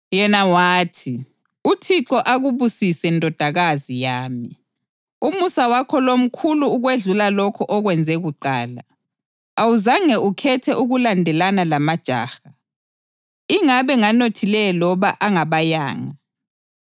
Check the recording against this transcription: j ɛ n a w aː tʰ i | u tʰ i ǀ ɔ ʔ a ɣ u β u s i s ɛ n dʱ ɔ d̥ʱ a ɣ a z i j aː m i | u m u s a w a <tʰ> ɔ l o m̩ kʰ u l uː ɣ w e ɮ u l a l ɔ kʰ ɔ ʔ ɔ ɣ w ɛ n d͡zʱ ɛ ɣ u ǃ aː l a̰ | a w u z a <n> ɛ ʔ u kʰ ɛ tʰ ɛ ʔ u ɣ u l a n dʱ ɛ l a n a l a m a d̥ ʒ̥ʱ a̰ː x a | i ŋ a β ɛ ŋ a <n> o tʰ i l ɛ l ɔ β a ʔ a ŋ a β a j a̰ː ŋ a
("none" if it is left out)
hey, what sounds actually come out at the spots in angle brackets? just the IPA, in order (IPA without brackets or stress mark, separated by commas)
kʰ, ŋ, n